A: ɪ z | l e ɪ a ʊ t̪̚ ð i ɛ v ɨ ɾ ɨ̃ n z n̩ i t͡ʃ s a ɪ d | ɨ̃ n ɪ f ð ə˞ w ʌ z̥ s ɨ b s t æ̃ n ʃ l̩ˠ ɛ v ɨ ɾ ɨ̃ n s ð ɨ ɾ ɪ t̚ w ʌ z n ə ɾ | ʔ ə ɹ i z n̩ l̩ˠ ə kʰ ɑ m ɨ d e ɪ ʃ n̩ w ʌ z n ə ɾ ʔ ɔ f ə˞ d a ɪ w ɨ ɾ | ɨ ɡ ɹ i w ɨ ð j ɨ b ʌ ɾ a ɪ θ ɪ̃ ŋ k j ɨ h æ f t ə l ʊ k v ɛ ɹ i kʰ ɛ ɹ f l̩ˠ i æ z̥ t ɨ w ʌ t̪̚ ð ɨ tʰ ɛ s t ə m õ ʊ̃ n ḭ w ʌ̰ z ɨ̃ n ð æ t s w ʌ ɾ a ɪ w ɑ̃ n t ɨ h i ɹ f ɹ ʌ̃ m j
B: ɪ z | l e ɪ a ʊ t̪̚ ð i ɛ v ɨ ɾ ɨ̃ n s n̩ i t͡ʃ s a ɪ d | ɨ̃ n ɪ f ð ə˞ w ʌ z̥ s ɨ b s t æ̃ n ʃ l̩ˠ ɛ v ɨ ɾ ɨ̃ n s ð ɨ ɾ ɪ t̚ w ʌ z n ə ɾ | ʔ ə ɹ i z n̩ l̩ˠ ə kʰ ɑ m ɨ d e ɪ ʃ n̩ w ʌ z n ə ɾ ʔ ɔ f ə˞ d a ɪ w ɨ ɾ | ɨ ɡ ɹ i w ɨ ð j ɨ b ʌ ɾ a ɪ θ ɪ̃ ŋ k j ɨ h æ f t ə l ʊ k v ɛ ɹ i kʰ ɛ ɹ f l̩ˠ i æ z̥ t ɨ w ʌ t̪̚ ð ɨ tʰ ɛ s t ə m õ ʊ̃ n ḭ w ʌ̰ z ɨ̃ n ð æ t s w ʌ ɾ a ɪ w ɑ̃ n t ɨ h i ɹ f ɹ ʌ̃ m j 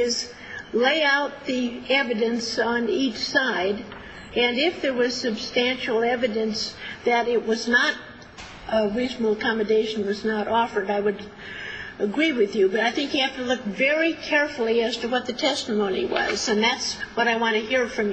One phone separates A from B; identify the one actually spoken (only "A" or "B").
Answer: B